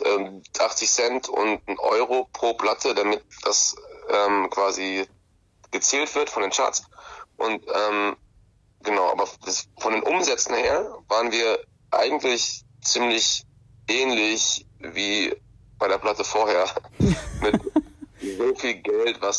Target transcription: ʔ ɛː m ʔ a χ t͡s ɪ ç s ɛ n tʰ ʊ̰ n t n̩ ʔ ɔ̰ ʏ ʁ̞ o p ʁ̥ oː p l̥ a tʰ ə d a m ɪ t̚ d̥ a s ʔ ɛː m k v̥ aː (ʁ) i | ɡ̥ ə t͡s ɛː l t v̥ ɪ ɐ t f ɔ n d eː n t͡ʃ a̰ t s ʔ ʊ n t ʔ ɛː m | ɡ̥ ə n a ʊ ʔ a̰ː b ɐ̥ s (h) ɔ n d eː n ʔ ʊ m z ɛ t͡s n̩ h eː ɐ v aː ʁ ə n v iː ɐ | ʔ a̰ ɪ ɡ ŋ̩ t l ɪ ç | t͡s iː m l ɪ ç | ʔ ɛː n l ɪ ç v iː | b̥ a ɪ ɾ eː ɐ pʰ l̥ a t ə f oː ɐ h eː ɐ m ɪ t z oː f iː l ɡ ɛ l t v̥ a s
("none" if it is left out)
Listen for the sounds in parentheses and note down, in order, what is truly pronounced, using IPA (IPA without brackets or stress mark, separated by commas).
z, f